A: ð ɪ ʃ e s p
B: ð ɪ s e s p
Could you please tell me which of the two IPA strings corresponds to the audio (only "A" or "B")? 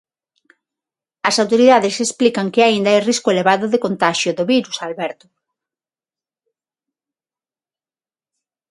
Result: B